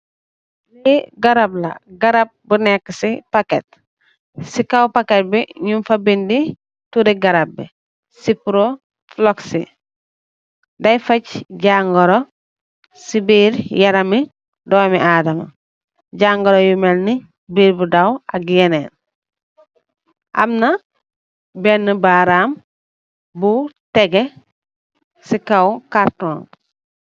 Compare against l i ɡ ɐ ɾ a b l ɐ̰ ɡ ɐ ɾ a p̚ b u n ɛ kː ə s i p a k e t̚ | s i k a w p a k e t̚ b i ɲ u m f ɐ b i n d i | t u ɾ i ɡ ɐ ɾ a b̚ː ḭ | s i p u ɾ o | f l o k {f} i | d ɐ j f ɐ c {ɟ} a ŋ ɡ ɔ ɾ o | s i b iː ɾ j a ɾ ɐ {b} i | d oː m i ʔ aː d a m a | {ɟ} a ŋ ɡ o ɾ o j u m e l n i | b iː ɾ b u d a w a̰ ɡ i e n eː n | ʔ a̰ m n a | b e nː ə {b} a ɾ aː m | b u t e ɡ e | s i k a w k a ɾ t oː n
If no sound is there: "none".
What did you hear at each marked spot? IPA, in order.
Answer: s, ɟ, m, ɟ, b

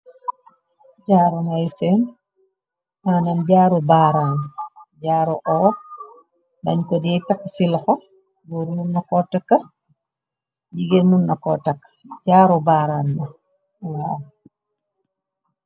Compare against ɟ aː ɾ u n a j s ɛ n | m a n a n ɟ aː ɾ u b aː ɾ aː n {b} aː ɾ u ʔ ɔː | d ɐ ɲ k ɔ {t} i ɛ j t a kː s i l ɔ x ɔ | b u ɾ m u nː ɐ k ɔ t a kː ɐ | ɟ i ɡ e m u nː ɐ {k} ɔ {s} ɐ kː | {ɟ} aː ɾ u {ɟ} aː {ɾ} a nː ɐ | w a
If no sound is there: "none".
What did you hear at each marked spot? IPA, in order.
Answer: ɟ, d, k, t, ɟ, b, ɾ

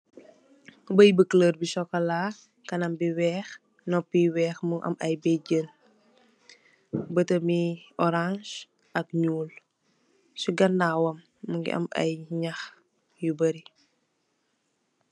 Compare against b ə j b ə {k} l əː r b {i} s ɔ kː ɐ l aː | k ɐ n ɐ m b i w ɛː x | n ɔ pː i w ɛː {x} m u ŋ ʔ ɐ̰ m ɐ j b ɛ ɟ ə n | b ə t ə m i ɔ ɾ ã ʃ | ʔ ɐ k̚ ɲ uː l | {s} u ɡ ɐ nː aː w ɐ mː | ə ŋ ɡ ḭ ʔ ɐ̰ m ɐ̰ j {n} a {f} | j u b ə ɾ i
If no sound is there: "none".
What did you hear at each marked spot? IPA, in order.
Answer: k, i, x, s, ɲ, x

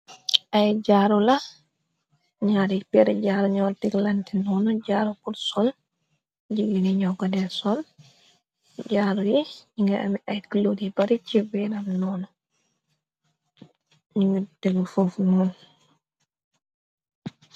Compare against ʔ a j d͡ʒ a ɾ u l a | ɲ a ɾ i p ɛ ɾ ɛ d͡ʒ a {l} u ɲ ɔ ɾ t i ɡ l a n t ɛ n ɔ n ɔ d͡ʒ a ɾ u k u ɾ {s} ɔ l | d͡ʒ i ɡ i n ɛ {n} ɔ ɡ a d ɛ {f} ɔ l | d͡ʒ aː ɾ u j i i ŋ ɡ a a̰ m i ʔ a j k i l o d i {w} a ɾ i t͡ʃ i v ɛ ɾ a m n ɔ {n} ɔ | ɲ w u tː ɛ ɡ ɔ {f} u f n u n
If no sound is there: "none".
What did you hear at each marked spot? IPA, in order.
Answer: ɾ, s, ɲ, s, b, n, f

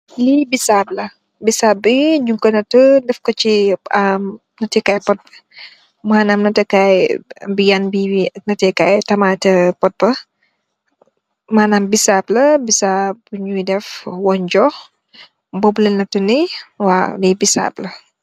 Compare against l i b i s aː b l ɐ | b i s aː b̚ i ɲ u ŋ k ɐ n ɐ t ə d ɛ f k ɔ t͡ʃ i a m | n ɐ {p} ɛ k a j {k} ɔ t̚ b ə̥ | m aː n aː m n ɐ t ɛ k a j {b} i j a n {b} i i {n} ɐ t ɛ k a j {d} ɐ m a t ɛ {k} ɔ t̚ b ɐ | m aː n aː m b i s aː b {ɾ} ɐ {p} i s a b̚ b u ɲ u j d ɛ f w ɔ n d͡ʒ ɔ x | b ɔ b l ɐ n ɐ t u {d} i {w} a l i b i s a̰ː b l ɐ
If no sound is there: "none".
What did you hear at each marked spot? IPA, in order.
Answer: t, p, b, b, n, t, p, l, b, n, w

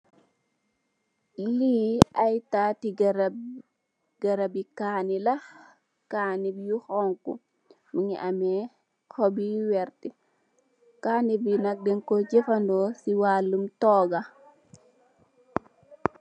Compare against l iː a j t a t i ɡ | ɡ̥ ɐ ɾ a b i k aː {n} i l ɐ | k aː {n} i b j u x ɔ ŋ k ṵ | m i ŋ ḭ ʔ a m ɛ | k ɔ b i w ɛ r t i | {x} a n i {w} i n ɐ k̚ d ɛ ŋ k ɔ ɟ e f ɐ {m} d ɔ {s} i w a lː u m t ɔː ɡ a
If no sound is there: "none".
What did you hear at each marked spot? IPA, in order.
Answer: n, n, k, b, n, s

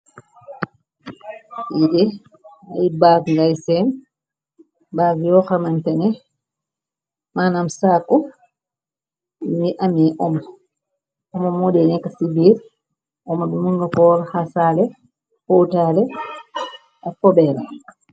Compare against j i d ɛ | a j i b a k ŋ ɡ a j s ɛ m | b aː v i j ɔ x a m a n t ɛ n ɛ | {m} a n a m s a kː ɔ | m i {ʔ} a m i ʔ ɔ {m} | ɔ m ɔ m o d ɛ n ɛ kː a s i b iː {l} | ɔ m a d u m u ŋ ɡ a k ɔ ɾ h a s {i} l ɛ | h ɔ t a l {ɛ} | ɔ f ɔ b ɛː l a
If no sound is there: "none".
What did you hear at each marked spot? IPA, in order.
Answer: m, ʔ, m, ɾ, a, ɛ

